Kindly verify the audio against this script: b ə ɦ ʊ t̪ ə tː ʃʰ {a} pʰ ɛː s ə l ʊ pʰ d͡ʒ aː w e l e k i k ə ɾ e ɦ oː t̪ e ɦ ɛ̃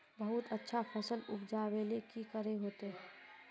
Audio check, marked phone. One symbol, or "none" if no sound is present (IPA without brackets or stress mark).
a